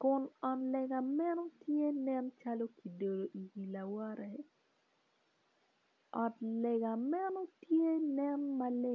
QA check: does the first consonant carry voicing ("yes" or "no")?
no